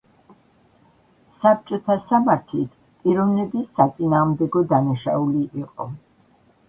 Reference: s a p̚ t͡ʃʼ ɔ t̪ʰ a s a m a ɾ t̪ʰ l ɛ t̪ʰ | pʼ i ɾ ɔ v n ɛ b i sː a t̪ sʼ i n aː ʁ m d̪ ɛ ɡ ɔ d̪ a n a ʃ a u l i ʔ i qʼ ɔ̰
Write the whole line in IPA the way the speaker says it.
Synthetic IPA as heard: s a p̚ t͡ʃʼ ɔ t̪ʰ a s a m a ɾ t̪ʰ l i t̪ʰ | pʼ i ɾ ɔ v n ɛ b i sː a t̪ sʼ i n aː ʁ m d̪ ɛ ɡ ɔ d̪ a n a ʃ a u l i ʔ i qʼ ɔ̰